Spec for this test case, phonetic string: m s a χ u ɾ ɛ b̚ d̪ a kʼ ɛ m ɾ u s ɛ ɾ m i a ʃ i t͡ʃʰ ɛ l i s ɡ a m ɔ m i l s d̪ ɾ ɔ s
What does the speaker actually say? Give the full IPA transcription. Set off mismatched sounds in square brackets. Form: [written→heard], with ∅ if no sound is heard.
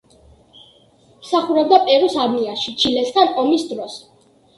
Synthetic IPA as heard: m s a χ u ɾ ɛ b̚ d̪ a [kʼ→pʼ] ɛ [m→∅] ɾ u s [ɛ→a] ɾ m i a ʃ i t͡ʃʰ [ɛ→i] l [i→ɛ] s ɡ a [m→n] ɔ m i [l→∅] s d̪ ɾ ɔ s